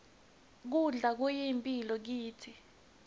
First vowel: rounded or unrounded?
rounded